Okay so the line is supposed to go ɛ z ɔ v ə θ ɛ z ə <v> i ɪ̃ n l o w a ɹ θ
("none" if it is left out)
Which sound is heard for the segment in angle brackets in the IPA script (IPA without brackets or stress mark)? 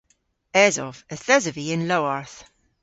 v